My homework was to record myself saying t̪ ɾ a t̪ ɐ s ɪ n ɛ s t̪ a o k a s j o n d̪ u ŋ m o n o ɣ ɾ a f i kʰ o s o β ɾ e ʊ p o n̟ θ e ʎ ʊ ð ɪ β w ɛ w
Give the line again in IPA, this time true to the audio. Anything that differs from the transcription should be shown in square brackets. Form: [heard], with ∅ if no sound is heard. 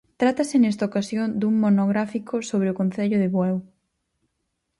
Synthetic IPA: t̪ ɾ a t̪ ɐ s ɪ n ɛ s t̪ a o k a s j o n d̪ u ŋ m o n o ɣ ɾ a f i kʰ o s o β ɾ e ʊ [k] o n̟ θ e ʎ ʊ ð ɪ β w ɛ w